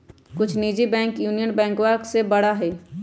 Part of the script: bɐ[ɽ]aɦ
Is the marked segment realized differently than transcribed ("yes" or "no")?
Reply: no